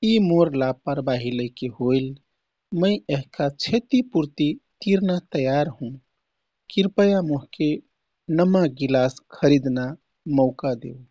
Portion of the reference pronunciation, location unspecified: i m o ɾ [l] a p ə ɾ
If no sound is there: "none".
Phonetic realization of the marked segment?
l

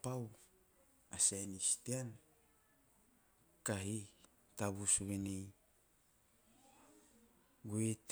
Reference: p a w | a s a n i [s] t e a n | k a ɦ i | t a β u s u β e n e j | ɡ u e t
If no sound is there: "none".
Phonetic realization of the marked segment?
s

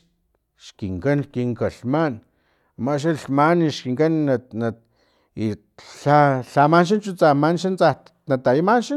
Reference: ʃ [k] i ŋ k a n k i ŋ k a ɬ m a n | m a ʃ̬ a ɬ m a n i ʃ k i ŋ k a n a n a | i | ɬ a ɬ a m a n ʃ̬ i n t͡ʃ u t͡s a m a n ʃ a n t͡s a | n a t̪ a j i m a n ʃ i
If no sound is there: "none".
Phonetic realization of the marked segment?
k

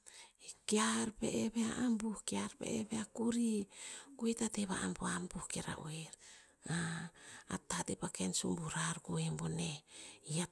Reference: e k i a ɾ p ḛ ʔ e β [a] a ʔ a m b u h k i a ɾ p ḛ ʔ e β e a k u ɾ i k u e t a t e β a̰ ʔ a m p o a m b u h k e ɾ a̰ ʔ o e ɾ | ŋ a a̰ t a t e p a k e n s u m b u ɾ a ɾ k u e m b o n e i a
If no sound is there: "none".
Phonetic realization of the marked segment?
e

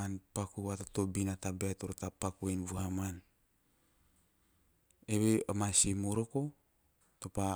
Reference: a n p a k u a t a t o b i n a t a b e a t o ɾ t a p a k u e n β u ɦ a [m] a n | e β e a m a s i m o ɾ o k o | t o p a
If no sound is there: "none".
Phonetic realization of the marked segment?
m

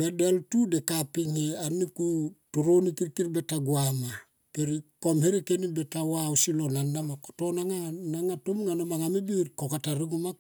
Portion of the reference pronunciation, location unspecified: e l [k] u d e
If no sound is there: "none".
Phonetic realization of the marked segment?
t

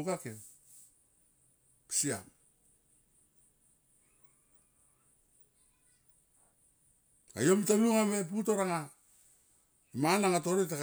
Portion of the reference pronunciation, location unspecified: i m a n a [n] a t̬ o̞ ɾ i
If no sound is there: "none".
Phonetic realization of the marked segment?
ŋ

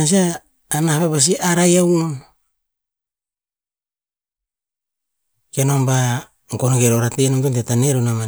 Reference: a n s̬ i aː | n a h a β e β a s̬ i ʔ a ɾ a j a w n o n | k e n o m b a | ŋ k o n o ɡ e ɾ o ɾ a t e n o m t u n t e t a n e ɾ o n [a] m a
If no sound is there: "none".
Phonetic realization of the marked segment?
a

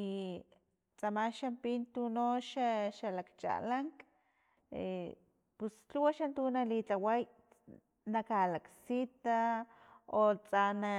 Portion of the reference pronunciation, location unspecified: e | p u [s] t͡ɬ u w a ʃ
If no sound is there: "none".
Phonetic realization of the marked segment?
s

